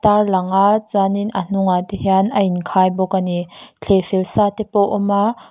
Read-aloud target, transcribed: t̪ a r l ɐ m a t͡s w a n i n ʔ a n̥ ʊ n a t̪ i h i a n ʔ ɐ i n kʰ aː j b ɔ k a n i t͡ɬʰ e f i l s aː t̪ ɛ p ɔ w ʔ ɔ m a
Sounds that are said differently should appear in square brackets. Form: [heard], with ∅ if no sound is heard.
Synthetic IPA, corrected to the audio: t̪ a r l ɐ [ŋ] a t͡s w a n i n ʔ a n̥ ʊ [ŋ] a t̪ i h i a n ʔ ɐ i n kʰ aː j b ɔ k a n i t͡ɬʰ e f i l s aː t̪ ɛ p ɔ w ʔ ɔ m a